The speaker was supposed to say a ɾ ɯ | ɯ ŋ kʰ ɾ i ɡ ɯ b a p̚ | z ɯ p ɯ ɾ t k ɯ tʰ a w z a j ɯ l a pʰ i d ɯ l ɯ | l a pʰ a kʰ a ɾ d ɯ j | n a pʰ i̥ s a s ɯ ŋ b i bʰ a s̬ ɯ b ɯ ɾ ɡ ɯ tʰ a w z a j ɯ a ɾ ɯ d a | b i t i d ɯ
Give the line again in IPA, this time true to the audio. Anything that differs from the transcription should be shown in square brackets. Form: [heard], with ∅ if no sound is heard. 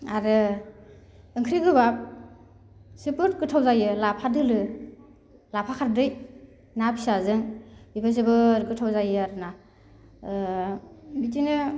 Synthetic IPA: a ɾ ɯ | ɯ ŋ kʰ ɾ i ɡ ɯ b a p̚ | [s] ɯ p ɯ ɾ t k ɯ tʰ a w z a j ɯ l a pʰ [a] d ɯ l ɯ | l a pʰ a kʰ a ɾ d ɯ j | n a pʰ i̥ s a [z] ɯ ŋ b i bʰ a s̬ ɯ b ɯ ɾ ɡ ɯ tʰ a w z a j ɯ a ɾ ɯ [n] a | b i t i [n] ɯ